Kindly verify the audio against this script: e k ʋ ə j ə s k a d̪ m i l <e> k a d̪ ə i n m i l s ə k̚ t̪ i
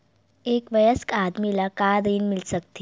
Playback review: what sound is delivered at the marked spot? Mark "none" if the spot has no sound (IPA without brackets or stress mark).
a